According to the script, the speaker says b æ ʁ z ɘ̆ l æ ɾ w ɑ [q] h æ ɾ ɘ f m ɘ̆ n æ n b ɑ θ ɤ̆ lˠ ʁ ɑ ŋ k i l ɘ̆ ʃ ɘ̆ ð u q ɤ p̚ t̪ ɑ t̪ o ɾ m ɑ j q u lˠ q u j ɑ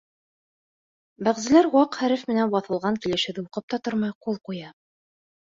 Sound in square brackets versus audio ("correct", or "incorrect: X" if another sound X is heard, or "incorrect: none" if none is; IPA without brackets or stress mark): correct